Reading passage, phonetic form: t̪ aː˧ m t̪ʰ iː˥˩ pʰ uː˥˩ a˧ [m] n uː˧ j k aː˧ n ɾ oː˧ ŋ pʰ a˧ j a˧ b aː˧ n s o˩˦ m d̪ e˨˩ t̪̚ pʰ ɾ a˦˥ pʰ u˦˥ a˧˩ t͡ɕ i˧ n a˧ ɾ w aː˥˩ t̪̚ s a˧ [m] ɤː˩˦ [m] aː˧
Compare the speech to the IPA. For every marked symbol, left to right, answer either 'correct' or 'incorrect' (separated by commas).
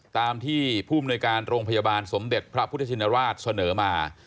correct, incorrect, correct